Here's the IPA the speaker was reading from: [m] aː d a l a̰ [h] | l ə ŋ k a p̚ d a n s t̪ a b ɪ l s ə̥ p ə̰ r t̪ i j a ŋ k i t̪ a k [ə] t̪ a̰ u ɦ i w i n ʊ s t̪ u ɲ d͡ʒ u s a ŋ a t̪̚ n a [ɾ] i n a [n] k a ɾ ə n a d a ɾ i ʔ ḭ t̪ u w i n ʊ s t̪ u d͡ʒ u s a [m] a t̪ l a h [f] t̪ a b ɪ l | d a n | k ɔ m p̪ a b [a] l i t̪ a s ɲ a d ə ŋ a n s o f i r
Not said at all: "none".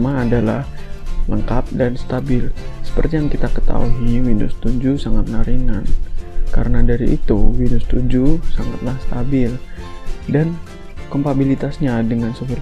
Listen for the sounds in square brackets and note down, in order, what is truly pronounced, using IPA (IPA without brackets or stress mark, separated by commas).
m, h, ə, ɾ, n, ŋ, s, i